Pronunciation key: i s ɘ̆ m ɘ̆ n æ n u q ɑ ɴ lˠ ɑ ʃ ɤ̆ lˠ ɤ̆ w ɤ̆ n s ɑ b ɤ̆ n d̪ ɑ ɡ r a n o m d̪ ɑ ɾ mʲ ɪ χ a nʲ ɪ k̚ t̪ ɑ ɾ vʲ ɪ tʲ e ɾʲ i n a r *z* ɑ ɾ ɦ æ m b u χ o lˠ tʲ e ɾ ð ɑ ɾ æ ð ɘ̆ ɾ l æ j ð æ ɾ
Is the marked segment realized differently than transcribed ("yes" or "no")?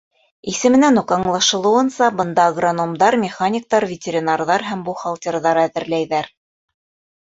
yes